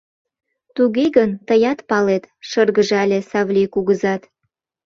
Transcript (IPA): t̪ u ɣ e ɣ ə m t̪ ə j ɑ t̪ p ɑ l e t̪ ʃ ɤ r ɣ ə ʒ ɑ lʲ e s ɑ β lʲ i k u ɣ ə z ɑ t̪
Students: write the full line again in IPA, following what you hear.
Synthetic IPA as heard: t̪ u ɣ e ɣ ə n t̪ ə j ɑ t̪ p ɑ l e t̪ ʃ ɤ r ɣ ə ʒ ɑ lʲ e s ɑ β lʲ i k u ɣ ə z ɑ t̪